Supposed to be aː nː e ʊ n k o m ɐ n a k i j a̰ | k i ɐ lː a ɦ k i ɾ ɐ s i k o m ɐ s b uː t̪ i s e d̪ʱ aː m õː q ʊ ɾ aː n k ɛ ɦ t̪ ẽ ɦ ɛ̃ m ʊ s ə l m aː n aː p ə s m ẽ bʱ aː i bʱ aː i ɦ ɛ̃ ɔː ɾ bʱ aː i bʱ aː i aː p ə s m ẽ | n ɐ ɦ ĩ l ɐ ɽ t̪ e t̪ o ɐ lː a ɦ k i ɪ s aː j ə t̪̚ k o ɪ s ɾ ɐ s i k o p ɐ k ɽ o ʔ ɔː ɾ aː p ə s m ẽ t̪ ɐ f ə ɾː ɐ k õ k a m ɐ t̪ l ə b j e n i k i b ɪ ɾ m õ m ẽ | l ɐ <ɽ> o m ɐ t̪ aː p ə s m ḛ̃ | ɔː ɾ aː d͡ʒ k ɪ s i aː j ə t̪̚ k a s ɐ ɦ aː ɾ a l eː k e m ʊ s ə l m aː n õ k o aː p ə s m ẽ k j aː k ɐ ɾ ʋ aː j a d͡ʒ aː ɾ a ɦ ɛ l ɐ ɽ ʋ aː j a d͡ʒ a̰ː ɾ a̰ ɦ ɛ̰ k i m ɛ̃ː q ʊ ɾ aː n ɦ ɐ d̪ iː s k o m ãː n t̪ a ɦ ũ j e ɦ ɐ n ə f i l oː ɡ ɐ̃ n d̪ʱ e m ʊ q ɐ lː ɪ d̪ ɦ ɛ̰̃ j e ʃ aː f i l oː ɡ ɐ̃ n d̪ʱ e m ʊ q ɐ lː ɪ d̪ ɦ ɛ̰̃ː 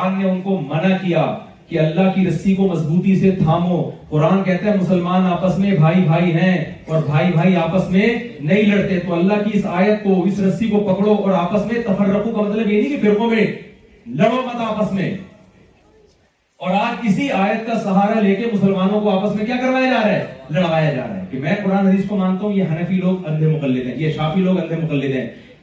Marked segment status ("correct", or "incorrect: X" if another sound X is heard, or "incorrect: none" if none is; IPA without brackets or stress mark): correct